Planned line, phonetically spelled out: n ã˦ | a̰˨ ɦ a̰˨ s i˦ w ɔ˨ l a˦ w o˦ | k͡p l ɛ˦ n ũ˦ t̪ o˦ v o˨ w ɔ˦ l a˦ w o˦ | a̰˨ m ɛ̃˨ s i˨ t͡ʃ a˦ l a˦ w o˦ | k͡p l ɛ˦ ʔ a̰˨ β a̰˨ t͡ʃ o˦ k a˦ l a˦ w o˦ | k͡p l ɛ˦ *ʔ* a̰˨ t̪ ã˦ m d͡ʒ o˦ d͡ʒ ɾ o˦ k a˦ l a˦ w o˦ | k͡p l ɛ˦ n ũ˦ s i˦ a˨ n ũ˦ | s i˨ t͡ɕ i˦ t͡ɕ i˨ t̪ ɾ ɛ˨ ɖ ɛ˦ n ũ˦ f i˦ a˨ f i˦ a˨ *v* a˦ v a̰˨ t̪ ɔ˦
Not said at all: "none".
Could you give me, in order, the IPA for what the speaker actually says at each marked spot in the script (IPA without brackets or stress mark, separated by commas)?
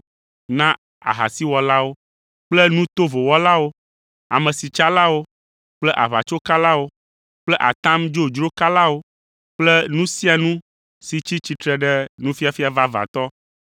ʔ, v